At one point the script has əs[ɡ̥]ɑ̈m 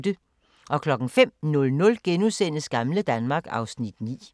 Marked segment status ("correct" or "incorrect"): correct